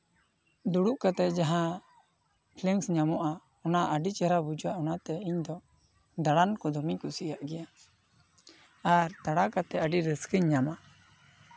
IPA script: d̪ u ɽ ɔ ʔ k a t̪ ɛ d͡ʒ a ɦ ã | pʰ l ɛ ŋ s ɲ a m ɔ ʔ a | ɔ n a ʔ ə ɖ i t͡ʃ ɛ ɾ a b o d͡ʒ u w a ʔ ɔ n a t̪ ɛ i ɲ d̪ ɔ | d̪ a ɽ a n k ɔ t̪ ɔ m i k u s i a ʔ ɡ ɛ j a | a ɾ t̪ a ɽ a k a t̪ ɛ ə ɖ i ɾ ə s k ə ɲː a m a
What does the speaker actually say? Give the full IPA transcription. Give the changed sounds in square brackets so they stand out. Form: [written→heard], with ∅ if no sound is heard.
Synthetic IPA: d̪ u ɽ [ɔ→u] ʔ k a t̪ ɛ d͡ʒ a ɦ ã | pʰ l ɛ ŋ s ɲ a m ɔ ʔ a | ɔ n a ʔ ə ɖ i t͡ʃ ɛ ɾ a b [o→u] d͡ʒ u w a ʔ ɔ n a t̪ ɛ i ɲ d̪ ɔ | d̪ a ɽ a n k ɔ [t̪→d̪] ɔ m i k u s i a ʔ ɡ ɛ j a | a ɾ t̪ a ɽ a k a t̪ ɛ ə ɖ i ɾ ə s k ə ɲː a m a

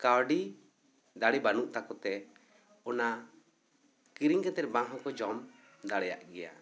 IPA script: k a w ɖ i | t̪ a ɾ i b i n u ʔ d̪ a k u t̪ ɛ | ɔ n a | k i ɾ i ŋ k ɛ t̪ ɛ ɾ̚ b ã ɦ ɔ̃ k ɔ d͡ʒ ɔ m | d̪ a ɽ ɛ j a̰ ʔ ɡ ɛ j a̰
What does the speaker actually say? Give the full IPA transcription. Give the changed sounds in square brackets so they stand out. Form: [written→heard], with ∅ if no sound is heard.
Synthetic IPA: k a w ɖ i | [t̪→d̪] a [ɾ→ɽ] i b [i→a] n u ʔ [d̪→t̪] a k [u→ɔ] t̪ ɛ | ɔ n a | k i ɾ i ŋ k ɛ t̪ ɛ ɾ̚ b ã ɦ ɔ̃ k ɔ d͡ʒ ɔ m | d̪ a ɽ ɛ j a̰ ʔ ɡ ɛ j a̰

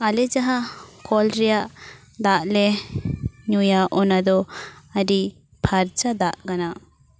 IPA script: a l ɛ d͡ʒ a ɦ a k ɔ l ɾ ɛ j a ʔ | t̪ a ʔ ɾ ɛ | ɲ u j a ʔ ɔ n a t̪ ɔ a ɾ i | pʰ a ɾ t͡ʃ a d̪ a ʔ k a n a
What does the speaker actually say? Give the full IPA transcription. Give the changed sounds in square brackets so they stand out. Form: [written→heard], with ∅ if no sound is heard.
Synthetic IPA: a l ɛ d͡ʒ a ɦ a k ɔ l ɾ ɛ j a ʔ | [t̪→d̪] a ʔ [ɾ→l] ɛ | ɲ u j a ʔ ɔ n a [t̪→d̪] ɔ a ɾ i | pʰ a ɾ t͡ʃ a d̪ a ʔ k a n a

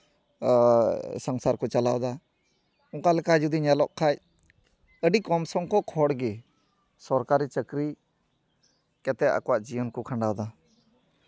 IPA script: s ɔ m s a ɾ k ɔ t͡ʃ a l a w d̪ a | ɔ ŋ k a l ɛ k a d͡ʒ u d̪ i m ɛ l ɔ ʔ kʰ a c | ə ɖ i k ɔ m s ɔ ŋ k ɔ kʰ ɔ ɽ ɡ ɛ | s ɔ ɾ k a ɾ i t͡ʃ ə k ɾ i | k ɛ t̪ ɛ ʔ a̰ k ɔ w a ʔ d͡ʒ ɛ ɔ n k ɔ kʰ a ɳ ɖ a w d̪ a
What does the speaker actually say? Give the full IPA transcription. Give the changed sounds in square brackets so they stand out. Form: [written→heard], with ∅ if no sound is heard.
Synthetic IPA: s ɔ [m→ŋ] s a ɾ k ɔ t͡ʃ a l a w d̪ a | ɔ ŋ k a l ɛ k a d͡ʒ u d̪ i [m→ɲ] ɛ l ɔ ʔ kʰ a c | ə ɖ i k ɔ m s ɔ ŋ k ɔ kʰ ɔ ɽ ɡ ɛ | s ɔ ɾ k a ɾ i t͡ʃ ə k ɾ i | k ɛ t̪ ɛ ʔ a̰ k ɔ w a ʔ d͡ʒ [ɛ→i] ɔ n k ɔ kʰ a ɳ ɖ a w d̪ a

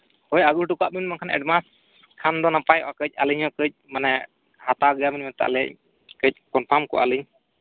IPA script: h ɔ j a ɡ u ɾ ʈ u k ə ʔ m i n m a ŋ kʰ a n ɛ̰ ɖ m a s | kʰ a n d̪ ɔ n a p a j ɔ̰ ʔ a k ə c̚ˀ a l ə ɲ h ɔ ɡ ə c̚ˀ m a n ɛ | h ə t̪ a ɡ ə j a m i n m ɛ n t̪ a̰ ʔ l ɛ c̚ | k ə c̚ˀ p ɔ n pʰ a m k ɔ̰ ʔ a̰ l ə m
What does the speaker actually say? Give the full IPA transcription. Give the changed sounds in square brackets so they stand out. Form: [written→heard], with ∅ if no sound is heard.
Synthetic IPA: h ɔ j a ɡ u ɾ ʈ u k [ə→a] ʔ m i n m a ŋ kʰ a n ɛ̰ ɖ m a s | kʰ a n d̪ ɔ n a p a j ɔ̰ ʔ a k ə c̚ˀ a l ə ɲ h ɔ [ɡ→k] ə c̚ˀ m a n ɛ | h [ə→a] t̪ a ɡ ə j a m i n m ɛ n t̪ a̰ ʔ l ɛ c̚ | k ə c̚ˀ [p→k] ɔ n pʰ a m k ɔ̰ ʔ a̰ l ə [m→ɲ]

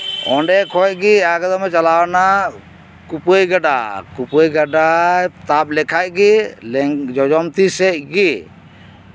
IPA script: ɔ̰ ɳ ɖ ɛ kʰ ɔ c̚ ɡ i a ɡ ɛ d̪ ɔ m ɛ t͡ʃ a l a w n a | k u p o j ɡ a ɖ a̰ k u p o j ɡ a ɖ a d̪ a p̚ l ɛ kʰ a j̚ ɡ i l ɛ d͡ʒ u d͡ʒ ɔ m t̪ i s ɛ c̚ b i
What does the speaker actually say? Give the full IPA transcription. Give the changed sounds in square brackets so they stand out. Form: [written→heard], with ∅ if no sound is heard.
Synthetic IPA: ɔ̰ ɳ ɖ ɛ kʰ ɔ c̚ ɡ i a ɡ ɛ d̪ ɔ m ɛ t͡ʃ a l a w n a | k u p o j ɡ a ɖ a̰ k u p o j ɡ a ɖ a [d̪→t̪] a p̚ l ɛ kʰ a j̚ ɡ i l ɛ d͡ʒ [u→ɔ] d͡ʒ ɔ m t̪ i s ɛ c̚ [b→ɡ] i

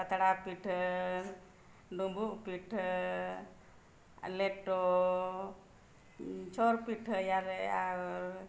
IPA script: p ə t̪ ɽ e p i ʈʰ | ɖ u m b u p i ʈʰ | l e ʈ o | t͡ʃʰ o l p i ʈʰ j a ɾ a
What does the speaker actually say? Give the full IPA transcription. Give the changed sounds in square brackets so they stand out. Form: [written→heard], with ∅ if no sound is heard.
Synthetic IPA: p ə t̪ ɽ [e→a] p i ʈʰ | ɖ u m b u p i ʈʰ | l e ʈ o | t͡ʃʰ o [l→ɾ] p i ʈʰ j a ɾ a

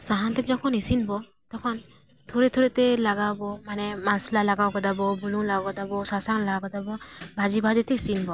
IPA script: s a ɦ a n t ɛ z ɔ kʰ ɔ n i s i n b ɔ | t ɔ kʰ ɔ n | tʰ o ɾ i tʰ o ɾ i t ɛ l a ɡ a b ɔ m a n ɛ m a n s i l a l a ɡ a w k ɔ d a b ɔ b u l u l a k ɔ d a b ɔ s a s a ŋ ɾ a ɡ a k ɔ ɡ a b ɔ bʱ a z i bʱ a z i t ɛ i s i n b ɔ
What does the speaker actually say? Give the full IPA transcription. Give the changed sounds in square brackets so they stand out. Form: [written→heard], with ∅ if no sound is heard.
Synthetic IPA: s a ɦ a n t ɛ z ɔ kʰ ɔ n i s i n b ɔ | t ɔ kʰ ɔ n | tʰ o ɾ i tʰ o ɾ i t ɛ l a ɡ a b ɔ m a n ɛ m a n s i l a l a ɡ a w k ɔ d a b ɔ b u l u l a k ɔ d a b ɔ s a s a ŋ [ɾ→l] a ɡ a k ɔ [ɡ→d] a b ɔ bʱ a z i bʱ a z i t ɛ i s i n b ɔ

